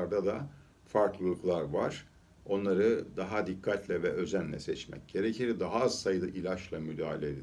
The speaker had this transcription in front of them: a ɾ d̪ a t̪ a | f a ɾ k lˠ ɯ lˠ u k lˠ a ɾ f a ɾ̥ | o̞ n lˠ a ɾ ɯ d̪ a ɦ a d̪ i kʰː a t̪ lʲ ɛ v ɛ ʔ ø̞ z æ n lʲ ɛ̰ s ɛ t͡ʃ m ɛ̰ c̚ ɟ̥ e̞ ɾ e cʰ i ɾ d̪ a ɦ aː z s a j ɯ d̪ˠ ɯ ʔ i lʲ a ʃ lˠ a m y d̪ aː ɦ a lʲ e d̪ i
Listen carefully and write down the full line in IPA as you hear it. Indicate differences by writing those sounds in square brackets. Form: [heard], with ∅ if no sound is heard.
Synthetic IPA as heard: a ɾ d̪ a [d̪] a | f a ɾ k lˠ ɯ lˠ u k lˠ a ɾ [v] a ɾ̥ | o̞ n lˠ a ɾ ɯ d̪ a ɦ a d̪ i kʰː a t̪ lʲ ɛ v ɛ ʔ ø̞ z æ n lʲ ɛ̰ s ɛ t͡ʃ m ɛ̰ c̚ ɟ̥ e̞ ɾ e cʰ i ɾ d̪ a ɦ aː z s a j ɯ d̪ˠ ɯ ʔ i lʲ a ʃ lˠ a m y d̪ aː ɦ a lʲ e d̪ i